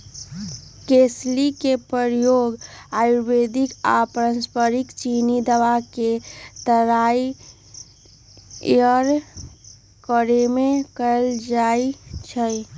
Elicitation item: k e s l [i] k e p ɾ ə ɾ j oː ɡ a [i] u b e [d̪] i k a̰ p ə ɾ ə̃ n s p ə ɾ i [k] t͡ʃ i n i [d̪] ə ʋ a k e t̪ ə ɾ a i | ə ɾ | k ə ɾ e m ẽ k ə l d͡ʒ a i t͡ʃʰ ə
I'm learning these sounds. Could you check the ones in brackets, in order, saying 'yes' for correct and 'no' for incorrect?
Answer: yes, no, yes, yes, yes

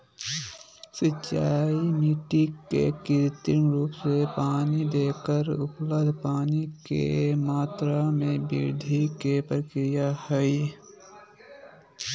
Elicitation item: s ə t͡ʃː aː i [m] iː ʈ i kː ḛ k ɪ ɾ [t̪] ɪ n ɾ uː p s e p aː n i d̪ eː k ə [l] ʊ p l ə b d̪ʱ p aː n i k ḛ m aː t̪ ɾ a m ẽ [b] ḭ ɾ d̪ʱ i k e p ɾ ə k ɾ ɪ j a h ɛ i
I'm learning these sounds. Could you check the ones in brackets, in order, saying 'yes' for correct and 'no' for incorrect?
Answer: yes, yes, no, yes

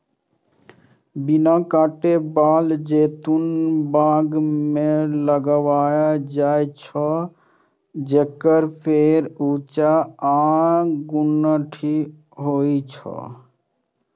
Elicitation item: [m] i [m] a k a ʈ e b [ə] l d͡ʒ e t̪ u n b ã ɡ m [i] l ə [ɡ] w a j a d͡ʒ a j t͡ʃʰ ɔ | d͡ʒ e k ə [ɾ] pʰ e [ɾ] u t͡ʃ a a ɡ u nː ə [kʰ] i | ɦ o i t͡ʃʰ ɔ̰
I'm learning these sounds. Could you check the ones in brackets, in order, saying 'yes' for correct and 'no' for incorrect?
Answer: no, no, no, no, yes, yes, yes, no

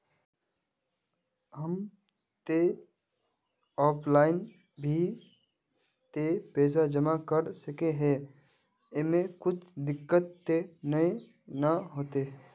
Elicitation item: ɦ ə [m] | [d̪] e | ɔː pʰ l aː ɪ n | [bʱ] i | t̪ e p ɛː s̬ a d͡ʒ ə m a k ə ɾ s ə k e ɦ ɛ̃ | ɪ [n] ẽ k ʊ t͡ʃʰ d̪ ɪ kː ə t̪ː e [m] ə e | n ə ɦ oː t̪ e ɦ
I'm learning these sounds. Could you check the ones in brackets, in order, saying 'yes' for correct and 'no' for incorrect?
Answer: yes, no, yes, no, no

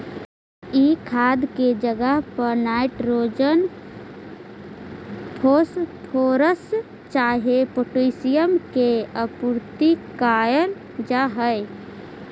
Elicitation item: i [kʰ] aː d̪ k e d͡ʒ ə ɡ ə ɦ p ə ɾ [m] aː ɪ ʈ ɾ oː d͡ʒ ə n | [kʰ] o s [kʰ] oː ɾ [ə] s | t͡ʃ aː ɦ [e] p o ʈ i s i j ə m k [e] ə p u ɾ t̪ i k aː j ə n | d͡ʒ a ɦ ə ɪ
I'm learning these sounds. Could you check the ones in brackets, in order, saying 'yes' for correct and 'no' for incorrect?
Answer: yes, no, no, no, yes, yes, yes

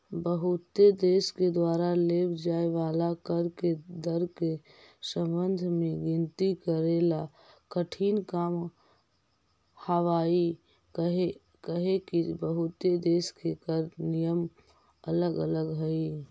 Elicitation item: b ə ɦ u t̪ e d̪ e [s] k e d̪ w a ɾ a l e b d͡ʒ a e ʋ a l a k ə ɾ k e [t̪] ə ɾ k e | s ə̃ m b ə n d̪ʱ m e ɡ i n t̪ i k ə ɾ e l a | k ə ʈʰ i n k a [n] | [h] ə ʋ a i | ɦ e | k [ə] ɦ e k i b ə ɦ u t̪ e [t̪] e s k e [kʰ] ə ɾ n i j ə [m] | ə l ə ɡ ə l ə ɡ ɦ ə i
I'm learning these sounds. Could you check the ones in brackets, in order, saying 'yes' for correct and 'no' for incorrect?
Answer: yes, no, no, yes, yes, no, no, yes

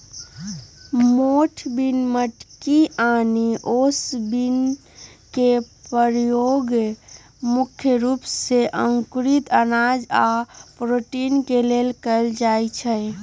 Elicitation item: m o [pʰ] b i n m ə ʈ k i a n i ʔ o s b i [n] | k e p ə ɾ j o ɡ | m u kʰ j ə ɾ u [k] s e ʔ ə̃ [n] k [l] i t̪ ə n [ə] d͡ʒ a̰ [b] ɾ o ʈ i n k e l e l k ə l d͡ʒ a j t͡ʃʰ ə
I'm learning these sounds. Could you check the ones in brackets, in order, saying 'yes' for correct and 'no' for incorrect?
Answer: no, yes, no, no, no, no, no

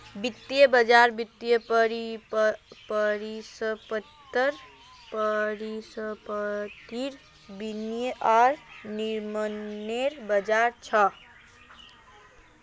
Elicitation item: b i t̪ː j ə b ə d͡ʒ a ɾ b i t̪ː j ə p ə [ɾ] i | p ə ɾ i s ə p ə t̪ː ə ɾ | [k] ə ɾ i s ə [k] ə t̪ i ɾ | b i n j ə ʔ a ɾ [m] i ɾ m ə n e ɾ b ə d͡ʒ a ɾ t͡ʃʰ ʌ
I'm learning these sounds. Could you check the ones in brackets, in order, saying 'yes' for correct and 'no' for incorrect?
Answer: yes, no, no, no

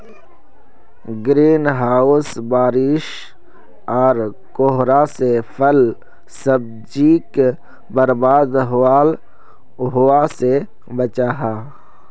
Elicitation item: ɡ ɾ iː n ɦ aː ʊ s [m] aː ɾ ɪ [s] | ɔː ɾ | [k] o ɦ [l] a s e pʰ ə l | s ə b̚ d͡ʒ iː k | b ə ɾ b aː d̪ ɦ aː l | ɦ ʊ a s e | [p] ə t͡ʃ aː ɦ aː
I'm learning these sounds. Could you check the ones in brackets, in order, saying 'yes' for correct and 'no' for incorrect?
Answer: no, no, yes, no, no

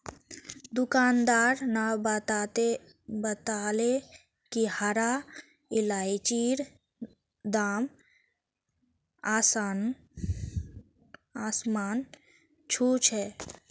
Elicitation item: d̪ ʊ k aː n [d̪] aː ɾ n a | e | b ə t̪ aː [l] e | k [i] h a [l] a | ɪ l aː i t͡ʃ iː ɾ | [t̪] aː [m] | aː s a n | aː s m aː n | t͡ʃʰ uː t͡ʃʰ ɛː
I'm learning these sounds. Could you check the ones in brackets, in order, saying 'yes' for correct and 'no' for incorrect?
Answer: yes, yes, yes, no, no, yes

